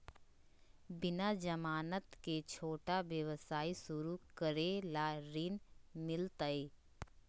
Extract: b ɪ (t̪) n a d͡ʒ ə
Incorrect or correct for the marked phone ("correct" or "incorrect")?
incorrect